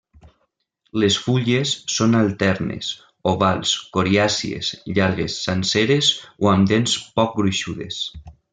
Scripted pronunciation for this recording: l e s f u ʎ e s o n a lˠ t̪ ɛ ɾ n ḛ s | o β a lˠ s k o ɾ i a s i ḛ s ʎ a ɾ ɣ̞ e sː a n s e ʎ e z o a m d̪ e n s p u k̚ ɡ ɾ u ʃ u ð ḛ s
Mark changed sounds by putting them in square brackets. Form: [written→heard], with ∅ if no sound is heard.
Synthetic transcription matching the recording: l e s f u ʎ e [s→sː] o n a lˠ t̪ ɛ ɾ n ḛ s | o β a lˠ s k o ɾ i a s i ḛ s ʎ a ɾ ɣ̞ e sː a n s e [ʎ→ɾ] e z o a m d̪ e n s p [u→ɔ] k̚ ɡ ɾ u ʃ u ð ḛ s